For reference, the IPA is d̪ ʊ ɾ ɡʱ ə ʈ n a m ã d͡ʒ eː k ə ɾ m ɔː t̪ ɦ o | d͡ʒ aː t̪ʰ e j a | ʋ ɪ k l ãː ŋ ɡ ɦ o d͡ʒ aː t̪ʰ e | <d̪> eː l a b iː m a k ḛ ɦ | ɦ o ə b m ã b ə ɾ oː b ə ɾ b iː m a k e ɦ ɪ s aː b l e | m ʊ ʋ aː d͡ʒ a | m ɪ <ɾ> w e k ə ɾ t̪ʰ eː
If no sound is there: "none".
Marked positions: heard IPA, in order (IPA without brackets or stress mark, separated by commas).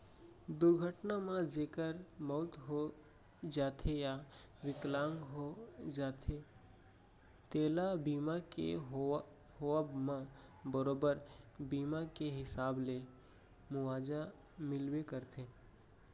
t̪, l